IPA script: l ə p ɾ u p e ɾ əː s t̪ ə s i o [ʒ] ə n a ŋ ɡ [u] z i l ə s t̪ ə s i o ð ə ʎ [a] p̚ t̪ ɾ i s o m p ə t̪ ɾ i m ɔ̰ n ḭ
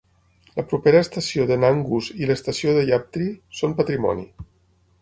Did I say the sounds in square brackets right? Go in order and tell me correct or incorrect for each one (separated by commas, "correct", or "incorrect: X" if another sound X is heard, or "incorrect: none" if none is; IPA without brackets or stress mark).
incorrect: ð, correct, correct